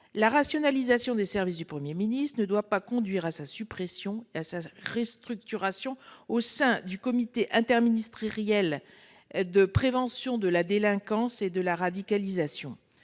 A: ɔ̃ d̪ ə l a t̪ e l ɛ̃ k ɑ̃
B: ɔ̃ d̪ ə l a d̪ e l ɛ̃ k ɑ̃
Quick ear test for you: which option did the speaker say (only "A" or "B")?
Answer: B